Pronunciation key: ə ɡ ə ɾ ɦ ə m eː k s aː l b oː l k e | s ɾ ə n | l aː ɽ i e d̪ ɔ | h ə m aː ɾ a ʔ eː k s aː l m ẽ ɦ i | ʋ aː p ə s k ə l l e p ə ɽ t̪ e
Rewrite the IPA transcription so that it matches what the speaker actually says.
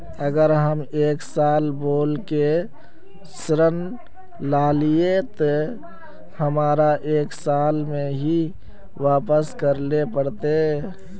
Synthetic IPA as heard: ə ɡ ə ɾ ɦ ə m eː k s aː l b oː l k e | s ɾ ə n | l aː l i e t̪ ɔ | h ə m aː ɾ a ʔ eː k s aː l m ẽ ɦ i | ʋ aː p ə s k ə ɾ l e p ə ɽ t̪ e